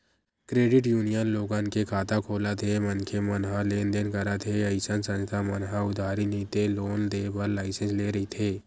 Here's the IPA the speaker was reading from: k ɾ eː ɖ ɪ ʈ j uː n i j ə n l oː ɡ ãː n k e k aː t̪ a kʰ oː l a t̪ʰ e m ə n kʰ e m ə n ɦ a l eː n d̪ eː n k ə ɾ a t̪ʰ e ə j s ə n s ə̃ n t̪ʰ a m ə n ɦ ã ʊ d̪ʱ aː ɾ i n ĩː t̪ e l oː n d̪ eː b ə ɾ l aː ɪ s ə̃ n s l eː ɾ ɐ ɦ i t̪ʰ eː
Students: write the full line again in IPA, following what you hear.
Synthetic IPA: k ɾ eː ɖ ɪ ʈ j uː n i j ə n l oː ɡ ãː n k e kʰ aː t̪ a kʰ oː l a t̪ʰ e m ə n kʰ e m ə n ɦ a l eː n d̪ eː n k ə ɾ a t̪ʰ e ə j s ə n s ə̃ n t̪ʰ a m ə n ɦ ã ʊ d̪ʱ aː ɾ i n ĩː t̪ e l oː n d̪ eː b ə ɾ l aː ɪ s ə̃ n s l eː ɾ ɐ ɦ i t̪ʰ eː